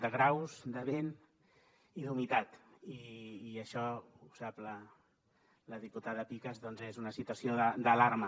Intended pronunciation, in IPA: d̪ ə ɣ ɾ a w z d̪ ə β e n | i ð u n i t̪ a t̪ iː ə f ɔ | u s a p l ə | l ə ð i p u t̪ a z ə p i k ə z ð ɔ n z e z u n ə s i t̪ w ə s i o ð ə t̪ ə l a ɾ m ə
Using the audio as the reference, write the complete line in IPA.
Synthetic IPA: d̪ ə ɣ ɾ a w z d̪ ə β e n | i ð u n i t̪ a t̪ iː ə ʃ ɔ | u s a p l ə | l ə ð i p u t̪ a ð ə p i k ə z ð ɔ n z e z u n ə s i t̪ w ə s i o ð ə d̪ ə l a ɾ m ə